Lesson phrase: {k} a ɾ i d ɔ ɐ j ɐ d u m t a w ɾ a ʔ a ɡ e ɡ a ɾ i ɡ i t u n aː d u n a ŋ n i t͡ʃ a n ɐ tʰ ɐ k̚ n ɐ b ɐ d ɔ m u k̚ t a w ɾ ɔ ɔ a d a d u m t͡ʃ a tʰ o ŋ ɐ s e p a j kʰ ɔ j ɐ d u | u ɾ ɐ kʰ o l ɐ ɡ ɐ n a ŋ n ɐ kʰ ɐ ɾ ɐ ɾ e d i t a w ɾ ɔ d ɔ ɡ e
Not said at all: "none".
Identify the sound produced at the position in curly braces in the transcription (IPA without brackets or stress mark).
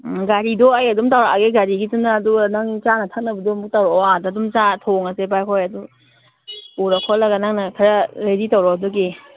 ɡ